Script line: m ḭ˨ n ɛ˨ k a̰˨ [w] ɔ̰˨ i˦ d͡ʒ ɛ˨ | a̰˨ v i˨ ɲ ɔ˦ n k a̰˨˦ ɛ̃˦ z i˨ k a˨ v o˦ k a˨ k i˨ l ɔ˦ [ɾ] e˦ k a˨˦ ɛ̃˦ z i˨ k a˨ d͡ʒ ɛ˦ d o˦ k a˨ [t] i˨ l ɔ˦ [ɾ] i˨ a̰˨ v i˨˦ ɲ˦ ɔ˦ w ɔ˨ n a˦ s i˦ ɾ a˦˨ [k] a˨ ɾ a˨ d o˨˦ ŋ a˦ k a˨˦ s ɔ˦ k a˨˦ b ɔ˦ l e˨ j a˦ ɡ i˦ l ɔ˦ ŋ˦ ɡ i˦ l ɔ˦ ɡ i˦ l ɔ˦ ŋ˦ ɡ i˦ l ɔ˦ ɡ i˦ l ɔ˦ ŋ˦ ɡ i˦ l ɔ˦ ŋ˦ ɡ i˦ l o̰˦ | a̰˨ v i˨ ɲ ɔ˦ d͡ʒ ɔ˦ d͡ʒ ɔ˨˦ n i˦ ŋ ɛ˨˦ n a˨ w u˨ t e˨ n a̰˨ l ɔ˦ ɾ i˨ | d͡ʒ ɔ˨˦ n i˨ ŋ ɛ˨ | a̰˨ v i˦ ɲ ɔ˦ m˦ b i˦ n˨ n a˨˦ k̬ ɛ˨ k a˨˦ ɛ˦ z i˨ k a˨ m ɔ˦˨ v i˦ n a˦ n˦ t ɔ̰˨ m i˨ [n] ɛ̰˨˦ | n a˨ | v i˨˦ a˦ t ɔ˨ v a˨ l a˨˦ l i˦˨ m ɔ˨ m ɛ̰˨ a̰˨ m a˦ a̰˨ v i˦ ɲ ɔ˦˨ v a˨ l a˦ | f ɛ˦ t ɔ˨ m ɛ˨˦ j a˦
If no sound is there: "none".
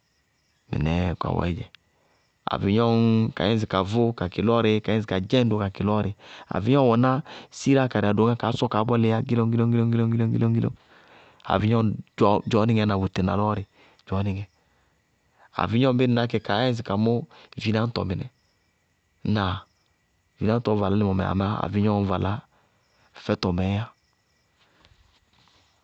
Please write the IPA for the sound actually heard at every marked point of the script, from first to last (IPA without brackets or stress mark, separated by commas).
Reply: w, ɾ, k, ɾ, k, n